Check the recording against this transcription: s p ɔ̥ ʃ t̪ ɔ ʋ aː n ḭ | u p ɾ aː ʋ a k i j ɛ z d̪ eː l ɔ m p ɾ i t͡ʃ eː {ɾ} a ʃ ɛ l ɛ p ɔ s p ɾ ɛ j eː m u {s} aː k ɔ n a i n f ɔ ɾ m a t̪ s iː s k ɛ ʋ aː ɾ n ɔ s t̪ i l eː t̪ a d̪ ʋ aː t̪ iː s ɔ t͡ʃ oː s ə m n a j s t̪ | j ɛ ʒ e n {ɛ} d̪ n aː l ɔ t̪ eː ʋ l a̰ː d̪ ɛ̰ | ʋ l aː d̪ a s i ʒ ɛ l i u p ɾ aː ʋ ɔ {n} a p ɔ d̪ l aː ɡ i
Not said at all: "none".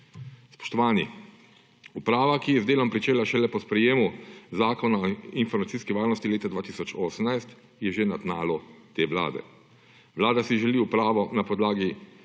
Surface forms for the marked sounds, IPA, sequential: l, z, a, n

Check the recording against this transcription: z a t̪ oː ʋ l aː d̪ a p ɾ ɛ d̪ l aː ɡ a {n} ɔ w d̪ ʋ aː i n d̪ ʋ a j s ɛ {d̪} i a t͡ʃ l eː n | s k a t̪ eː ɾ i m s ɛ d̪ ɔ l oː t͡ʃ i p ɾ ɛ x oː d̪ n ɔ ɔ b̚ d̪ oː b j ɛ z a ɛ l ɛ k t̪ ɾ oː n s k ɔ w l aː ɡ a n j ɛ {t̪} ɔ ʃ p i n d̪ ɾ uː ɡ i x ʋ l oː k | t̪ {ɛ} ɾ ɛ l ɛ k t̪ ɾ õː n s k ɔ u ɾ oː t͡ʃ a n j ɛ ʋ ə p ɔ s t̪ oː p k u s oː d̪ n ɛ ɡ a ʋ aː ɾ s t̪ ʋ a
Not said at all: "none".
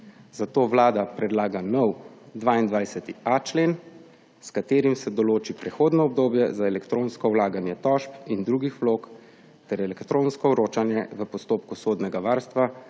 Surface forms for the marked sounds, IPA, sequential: n, t̪, t̪, ɛ

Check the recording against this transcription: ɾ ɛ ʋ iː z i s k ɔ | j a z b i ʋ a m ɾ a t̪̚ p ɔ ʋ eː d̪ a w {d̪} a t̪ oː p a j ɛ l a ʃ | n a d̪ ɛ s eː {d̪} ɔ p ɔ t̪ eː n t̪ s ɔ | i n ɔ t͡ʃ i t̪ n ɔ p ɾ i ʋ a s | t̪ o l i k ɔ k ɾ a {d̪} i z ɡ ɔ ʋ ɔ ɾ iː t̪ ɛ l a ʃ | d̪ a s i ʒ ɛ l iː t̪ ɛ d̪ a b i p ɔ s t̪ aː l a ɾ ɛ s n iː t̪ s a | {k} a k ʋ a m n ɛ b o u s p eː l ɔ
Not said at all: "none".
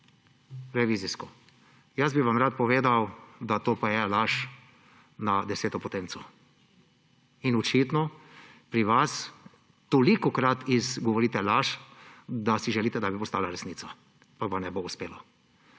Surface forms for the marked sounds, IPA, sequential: d̪, t̪, t̪, p

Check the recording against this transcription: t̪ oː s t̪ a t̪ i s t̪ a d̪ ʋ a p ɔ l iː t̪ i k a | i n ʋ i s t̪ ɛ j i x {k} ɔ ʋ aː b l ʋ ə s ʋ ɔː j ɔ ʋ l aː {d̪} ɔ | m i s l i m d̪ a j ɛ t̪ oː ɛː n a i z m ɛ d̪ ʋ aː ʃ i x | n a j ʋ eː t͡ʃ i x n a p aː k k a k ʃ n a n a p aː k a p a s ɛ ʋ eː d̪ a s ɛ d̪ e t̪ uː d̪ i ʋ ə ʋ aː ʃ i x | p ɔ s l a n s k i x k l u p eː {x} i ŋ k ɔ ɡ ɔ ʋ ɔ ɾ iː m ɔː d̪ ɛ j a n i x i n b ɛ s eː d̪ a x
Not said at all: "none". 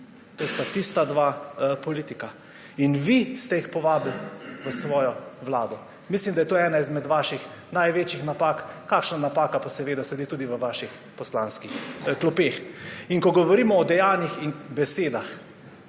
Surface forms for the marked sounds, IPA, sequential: p, d̪, x

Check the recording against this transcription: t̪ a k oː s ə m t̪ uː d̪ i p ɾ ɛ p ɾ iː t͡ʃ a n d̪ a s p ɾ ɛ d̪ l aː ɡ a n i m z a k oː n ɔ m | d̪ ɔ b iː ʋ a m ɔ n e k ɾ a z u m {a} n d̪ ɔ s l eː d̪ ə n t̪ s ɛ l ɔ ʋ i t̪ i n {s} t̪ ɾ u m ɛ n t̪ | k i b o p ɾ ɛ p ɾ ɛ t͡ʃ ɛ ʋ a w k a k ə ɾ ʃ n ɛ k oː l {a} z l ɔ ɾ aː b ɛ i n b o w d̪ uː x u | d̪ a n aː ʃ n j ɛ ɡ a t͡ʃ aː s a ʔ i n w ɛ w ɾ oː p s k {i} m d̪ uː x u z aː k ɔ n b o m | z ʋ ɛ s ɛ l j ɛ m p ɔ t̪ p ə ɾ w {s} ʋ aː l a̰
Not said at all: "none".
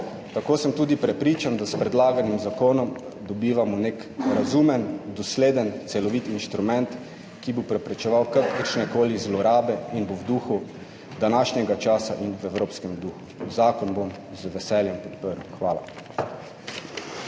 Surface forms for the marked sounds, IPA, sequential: ɛ, ʃ, i, ɛ, x

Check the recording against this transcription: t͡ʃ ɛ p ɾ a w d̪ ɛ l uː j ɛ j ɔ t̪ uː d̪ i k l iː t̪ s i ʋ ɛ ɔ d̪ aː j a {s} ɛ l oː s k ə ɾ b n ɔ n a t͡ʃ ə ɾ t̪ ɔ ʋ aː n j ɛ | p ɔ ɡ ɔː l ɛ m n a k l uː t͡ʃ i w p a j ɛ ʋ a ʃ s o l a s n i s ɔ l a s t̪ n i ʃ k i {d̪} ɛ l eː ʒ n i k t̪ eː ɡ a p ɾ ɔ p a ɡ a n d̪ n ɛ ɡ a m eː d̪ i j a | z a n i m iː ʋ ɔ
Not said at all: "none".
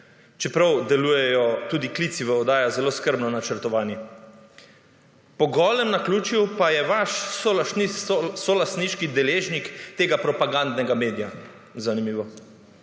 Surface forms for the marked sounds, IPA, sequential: z, d̪

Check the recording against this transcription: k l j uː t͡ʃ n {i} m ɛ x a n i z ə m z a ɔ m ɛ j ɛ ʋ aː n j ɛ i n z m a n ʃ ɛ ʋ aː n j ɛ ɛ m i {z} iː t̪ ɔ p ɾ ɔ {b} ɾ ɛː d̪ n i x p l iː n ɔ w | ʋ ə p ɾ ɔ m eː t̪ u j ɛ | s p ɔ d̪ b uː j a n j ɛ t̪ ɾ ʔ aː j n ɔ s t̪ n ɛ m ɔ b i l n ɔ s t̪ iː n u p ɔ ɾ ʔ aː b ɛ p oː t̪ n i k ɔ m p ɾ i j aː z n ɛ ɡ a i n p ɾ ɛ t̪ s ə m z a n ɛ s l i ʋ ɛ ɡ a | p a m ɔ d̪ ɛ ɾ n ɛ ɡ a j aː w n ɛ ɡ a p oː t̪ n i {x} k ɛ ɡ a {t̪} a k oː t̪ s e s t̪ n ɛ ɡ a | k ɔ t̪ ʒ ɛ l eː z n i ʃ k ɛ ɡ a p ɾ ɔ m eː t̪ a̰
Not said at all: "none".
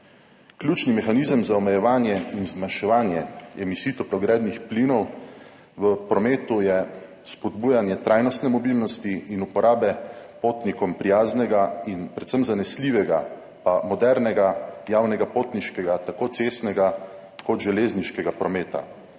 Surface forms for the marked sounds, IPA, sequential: i, s, ɡ, ʃ, t̪

